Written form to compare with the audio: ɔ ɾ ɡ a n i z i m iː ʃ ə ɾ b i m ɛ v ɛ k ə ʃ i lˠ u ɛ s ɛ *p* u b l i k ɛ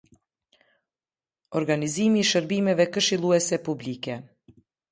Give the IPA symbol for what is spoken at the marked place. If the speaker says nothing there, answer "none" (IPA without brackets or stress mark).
p